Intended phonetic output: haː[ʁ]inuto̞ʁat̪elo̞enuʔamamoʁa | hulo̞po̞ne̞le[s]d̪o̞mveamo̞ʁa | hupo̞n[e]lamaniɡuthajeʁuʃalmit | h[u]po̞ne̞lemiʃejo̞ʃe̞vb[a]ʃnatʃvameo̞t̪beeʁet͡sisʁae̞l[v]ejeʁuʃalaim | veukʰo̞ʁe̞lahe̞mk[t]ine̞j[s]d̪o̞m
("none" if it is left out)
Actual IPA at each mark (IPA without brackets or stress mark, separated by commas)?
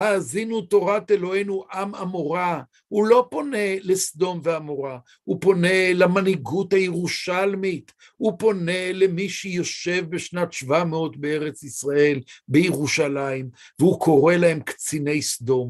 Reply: z, s, e, u, e, b, t͡s, s